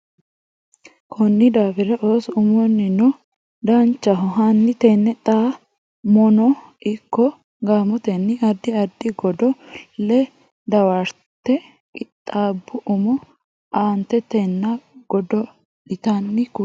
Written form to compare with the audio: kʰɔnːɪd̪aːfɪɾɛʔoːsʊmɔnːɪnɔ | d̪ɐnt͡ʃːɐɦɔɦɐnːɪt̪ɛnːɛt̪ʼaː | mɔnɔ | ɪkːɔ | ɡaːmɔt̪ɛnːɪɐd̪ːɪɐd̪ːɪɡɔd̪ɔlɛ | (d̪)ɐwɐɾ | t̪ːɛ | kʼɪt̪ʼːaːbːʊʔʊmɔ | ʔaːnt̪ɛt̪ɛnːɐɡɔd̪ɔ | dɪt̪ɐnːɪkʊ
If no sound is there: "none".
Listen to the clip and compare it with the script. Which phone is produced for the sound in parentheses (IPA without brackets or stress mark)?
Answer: d̪